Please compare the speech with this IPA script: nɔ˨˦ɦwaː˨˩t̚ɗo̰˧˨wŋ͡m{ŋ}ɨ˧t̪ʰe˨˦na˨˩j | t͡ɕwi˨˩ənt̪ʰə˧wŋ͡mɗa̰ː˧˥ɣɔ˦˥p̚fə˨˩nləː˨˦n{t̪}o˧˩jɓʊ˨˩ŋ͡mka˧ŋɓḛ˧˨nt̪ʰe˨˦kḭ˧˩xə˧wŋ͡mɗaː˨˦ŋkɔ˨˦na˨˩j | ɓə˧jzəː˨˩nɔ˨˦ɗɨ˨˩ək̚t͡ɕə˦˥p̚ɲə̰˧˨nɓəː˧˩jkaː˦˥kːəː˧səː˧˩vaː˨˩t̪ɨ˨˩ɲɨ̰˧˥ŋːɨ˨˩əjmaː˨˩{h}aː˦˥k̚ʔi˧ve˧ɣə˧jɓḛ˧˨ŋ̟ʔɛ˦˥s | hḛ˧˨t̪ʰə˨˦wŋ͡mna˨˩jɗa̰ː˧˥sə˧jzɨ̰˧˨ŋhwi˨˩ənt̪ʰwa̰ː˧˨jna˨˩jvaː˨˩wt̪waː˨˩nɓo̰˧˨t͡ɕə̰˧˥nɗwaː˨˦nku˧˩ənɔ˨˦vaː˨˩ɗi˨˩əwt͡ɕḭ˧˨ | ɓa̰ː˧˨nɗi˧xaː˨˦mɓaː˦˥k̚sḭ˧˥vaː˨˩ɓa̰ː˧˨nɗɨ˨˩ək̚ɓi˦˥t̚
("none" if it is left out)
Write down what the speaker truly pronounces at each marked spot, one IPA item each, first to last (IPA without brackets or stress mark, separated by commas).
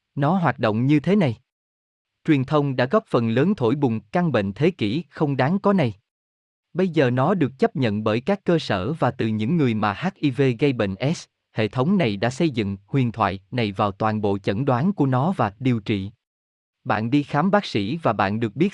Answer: ɲ, t̪ʰ, h